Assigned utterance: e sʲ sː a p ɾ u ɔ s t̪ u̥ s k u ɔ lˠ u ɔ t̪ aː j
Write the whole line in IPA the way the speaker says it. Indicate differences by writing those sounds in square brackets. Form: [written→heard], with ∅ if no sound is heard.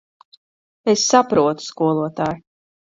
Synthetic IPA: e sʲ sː a p ɾ u ɔ [s→∅] t̪ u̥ s k u ɔ lˠ u ɔ t̪ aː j